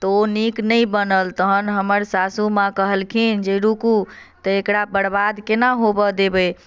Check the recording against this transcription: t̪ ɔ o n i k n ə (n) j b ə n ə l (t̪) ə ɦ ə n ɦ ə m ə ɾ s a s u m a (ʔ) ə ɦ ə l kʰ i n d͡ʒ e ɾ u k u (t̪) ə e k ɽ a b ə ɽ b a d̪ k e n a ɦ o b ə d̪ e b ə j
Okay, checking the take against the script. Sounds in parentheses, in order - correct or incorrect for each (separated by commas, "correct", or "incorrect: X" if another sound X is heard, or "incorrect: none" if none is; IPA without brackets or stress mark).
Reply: incorrect: none, correct, incorrect: k, correct